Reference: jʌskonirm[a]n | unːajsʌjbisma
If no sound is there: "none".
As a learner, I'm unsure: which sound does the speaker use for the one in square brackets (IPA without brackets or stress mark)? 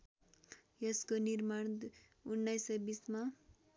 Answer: a